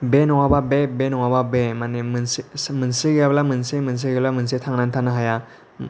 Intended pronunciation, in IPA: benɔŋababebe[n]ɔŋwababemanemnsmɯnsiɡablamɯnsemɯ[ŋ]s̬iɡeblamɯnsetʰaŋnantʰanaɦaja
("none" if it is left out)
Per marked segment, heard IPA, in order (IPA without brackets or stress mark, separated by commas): n, n